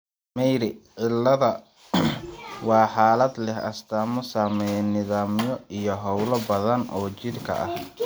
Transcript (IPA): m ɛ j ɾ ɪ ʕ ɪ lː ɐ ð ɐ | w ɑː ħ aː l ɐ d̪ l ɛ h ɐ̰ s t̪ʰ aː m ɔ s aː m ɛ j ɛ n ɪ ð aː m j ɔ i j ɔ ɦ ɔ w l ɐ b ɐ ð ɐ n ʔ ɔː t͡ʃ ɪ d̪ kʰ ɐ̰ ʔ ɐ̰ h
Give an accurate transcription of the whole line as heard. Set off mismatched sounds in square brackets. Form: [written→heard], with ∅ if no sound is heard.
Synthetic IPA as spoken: m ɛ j ɾ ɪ ʕ ɪ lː ɐ ð ɐ | w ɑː ħ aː l ɐ d̪ l ɛ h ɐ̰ s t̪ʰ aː m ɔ s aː m ɛ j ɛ n ɪ ð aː m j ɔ i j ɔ ɦ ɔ w l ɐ b ɐ ð ɐ n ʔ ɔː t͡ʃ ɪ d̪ kʰ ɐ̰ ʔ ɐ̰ h